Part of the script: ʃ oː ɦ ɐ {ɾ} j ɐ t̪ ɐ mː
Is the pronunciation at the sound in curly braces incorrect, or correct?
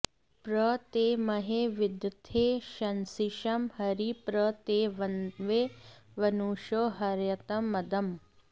correct